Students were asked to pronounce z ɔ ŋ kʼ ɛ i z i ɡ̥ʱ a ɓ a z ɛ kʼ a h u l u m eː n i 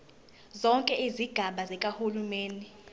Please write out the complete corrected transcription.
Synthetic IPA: z ɔ ŋ kʼ ɛ i z i ɡ̥ʱ a ɓ a z ɛ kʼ a h u l u m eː n i